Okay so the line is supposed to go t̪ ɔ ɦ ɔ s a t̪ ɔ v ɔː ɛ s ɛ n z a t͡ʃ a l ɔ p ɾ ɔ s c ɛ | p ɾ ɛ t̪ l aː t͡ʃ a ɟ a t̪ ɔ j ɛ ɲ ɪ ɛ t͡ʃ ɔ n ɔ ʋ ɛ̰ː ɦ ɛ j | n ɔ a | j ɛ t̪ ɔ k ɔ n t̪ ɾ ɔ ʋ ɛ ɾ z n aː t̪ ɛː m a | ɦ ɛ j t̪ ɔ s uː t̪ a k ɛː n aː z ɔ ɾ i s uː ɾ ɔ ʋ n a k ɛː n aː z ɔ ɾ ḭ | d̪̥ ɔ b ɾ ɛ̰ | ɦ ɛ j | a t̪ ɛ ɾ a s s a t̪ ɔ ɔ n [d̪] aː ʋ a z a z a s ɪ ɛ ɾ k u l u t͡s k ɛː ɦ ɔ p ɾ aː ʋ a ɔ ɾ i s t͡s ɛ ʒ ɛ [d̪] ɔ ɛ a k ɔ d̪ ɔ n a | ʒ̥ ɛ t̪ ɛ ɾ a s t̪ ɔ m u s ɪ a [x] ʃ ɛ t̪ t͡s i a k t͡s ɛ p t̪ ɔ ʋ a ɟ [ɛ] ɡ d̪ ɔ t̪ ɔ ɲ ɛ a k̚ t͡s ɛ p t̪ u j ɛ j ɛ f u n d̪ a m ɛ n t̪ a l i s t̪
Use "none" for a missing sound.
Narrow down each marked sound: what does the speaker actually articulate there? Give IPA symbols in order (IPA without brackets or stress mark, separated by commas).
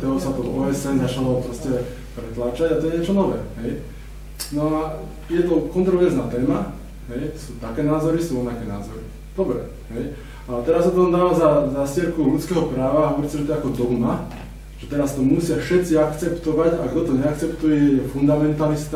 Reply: d̪, t̪, f, a